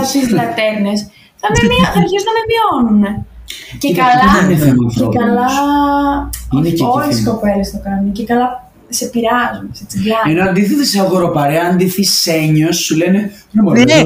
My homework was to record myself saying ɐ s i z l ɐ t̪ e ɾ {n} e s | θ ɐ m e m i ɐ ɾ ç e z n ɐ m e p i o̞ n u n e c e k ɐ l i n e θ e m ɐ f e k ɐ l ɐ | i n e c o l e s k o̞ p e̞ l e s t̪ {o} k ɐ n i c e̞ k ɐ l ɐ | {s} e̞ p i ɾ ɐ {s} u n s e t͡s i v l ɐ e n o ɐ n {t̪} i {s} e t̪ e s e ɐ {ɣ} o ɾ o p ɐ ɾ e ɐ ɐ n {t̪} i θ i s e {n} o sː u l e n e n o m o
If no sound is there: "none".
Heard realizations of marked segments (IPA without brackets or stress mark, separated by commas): n, o, s, z, d̪, θ, ɣ, d̪, ɲ